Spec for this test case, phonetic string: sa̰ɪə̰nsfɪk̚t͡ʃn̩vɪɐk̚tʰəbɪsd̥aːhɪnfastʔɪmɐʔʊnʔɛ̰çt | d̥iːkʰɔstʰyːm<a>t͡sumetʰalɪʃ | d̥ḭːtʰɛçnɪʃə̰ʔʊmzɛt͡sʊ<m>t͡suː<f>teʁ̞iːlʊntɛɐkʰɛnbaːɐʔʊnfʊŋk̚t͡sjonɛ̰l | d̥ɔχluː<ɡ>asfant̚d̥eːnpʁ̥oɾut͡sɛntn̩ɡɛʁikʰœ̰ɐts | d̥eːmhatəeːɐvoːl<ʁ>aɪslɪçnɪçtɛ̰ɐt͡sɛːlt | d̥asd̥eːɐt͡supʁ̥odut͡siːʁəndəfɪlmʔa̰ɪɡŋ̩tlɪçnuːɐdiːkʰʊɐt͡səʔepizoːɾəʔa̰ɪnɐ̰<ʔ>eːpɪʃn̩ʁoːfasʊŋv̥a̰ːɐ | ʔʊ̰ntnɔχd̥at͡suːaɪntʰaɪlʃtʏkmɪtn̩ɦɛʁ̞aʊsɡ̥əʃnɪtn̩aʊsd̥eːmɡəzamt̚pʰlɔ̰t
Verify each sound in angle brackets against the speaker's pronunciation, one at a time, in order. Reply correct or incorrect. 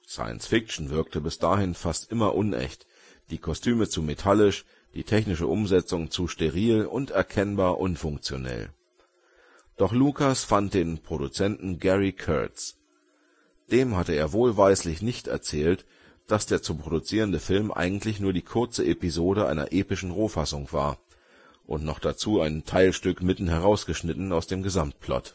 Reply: incorrect, incorrect, incorrect, incorrect, incorrect, correct

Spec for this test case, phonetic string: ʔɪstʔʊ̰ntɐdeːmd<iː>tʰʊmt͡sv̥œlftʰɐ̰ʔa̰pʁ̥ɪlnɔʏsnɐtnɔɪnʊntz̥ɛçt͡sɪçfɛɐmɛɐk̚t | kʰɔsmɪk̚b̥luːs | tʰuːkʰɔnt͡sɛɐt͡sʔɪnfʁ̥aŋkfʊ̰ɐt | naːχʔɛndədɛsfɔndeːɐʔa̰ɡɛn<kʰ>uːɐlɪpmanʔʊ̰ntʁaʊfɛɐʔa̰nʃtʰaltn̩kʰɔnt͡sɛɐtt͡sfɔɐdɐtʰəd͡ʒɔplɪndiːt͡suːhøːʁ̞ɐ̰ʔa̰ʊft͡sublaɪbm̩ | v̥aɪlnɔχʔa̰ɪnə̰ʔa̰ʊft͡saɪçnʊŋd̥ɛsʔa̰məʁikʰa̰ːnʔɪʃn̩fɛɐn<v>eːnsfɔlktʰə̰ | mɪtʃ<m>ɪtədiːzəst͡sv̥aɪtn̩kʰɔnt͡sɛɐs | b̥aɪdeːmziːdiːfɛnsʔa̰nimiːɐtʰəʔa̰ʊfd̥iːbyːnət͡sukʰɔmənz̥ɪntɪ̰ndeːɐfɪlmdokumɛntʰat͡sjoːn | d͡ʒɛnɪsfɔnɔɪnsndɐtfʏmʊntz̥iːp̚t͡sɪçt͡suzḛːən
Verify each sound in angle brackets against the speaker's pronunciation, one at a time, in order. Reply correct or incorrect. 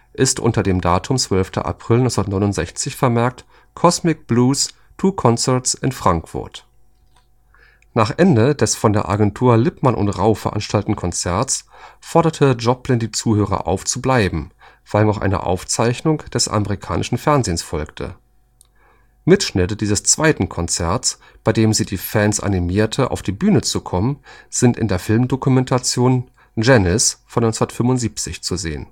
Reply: incorrect, incorrect, incorrect, incorrect

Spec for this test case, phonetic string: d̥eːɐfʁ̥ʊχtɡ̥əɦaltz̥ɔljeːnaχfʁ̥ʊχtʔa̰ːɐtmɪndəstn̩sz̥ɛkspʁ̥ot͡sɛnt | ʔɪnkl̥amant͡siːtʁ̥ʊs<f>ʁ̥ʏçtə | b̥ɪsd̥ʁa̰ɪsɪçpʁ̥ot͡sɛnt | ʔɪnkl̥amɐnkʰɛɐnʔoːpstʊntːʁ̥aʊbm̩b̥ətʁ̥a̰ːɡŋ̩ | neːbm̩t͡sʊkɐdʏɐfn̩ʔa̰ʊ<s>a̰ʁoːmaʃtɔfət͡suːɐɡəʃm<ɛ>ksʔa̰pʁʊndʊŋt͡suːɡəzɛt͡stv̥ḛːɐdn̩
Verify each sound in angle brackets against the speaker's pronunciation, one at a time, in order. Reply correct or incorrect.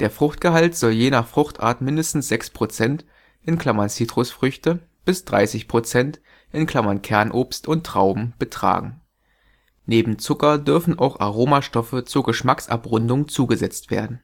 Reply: correct, incorrect, incorrect

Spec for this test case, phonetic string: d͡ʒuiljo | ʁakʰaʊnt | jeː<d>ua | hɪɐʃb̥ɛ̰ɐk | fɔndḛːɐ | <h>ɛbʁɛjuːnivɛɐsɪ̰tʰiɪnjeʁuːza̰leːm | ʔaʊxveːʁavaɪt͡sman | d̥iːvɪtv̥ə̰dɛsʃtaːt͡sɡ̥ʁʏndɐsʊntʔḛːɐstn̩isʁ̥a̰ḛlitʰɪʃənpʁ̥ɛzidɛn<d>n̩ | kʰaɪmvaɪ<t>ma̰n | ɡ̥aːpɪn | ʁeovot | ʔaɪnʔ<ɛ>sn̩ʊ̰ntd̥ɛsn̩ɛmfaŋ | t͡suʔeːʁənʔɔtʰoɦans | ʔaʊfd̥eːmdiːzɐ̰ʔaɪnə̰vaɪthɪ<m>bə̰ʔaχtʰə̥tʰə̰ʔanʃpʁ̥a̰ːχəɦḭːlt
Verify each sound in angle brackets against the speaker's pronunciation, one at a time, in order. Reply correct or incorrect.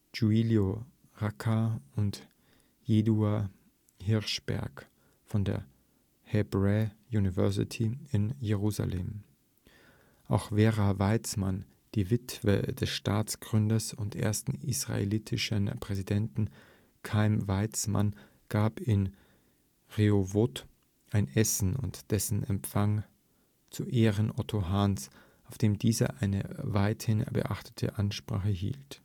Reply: correct, correct, incorrect, incorrect, correct, incorrect

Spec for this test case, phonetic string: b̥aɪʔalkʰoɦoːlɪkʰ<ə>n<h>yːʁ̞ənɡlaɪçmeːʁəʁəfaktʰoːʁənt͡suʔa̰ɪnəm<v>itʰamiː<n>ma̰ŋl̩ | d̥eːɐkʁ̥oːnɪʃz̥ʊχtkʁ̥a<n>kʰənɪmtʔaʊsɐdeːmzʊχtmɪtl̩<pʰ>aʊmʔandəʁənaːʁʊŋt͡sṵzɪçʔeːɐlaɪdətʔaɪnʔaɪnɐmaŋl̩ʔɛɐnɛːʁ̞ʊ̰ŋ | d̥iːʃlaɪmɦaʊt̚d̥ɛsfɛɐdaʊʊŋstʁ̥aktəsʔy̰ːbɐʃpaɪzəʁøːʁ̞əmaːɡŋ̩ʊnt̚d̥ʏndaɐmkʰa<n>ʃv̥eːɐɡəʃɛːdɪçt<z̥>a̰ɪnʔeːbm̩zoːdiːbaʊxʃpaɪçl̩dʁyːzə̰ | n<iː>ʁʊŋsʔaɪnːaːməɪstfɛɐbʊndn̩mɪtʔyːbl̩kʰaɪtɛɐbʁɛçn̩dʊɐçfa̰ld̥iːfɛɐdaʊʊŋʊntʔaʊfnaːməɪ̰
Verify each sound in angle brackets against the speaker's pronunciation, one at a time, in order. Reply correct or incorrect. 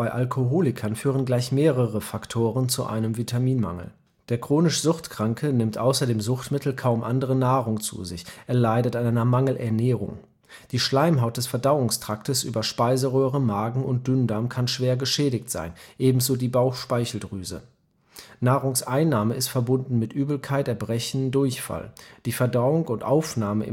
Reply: incorrect, incorrect, correct, correct, incorrect, incorrect, correct, correct, incorrect

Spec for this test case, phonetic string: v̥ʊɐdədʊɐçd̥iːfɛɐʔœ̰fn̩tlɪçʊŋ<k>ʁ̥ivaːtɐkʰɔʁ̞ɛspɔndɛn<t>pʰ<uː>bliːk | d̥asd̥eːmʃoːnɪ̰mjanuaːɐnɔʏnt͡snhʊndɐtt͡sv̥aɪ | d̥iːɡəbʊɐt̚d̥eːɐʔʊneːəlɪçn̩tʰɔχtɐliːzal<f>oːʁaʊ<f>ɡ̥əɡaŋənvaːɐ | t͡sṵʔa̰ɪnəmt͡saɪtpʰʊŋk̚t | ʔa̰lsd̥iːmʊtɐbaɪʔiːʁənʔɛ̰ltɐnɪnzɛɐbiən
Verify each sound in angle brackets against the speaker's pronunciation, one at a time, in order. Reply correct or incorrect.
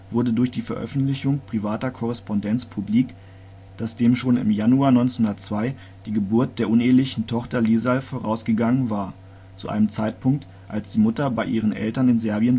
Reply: incorrect, incorrect, incorrect, correct, incorrect

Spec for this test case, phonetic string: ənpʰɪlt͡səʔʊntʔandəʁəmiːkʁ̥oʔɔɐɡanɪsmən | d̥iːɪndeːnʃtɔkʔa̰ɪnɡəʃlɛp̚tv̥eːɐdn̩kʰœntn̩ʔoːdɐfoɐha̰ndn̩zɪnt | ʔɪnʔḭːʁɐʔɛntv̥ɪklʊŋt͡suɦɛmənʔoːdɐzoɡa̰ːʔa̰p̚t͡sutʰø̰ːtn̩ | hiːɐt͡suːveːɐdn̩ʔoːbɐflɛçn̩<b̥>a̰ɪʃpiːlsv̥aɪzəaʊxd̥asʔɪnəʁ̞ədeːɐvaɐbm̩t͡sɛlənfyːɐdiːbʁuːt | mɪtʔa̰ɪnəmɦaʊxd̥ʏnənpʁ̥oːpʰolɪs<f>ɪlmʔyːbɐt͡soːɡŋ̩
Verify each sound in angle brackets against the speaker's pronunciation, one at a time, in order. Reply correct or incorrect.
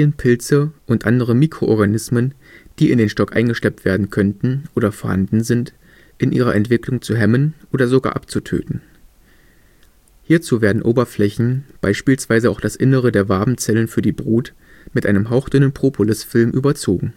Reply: correct, correct

